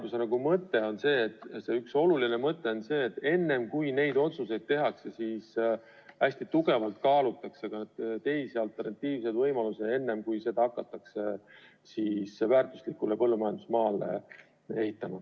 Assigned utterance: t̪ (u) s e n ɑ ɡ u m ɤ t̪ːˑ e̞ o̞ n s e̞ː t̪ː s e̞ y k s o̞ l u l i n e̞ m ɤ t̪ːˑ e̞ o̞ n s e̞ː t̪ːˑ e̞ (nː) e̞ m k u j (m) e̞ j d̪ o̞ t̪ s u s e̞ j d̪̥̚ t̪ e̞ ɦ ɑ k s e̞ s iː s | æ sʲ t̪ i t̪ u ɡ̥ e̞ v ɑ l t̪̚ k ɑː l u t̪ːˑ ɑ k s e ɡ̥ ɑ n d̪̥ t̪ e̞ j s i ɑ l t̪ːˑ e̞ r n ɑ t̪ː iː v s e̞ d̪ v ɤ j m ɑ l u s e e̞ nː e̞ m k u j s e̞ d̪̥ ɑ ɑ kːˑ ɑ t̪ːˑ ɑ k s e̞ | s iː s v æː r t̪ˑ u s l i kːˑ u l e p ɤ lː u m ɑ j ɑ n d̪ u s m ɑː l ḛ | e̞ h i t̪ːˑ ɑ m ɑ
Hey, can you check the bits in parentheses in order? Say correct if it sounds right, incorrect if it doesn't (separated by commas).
correct, correct, incorrect